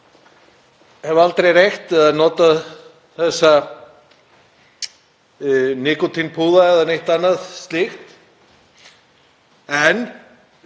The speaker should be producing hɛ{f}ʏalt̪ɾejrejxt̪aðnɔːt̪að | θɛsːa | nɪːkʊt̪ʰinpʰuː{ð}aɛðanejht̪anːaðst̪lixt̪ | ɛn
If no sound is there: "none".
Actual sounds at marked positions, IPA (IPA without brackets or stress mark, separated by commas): v, ð